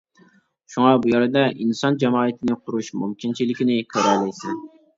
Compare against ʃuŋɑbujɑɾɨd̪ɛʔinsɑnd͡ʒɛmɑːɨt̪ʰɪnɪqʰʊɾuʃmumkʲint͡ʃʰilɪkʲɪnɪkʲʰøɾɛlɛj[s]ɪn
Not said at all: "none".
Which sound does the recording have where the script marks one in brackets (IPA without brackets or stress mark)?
s